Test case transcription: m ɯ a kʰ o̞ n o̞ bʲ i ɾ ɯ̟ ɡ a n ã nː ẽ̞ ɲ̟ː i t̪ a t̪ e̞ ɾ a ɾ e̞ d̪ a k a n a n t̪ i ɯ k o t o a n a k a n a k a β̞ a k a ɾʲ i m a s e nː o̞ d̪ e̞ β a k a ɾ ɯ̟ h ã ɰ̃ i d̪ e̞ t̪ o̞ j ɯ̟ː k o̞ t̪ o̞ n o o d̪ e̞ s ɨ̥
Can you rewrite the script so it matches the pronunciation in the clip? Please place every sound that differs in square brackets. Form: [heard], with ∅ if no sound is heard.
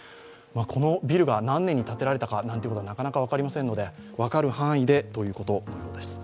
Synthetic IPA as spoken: m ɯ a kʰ o̞ n o̞ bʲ i ɾ ɯ̟ ɡ a n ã nː ẽ̞ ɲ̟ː i t̪ a t̪ e̞ ɾ a ɾ e̞ [t̪] a k a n a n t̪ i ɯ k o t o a n a k a n a k a β̞ a k a ɾʲ i m a s e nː o̞ d̪ e̞ β a k a ɾ ɯ̟ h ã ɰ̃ i d̪ e̞ t̪ o̞ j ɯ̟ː k o̞ t̪ o̞ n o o d̪ e̞ s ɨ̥